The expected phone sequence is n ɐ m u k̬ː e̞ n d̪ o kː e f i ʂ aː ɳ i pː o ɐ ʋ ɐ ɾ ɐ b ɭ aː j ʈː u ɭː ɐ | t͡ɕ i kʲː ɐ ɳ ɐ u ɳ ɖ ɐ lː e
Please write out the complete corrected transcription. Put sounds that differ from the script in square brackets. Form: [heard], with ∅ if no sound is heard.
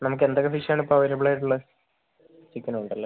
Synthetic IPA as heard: n ɐ m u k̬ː e̞ n d̪ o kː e f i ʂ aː ɳ i pː o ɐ ʋ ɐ ɾ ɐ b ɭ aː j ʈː u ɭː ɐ | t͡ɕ i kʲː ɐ [n] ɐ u ɳ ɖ ɐ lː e